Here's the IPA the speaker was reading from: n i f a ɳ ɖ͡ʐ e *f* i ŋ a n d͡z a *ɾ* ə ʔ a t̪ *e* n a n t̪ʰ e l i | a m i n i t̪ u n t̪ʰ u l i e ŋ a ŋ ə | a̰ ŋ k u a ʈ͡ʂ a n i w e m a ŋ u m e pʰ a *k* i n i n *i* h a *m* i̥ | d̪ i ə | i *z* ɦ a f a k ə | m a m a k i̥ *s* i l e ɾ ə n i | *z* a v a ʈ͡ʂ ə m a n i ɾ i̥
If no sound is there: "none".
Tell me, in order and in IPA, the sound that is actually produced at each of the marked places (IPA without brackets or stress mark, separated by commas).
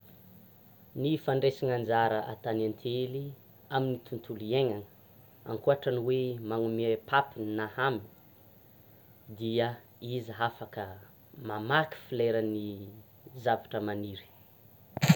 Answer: s, ɾ, a, p, a, m, z, f, z